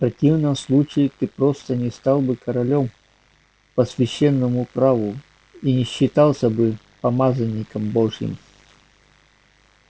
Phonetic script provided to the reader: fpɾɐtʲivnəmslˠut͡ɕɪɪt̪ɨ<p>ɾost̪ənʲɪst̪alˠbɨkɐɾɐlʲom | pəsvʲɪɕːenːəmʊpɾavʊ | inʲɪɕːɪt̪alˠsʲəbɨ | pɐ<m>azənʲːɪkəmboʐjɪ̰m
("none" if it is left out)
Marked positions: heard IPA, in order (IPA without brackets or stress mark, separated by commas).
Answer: p, m